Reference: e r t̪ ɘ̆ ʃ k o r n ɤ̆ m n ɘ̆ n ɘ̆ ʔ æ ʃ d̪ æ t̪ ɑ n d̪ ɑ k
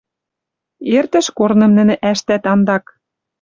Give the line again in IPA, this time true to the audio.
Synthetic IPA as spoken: e r t̪ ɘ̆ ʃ k o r n ɤ̆ m n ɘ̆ n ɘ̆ ʔ æ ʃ t̪ æ t̪ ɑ n d̪ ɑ k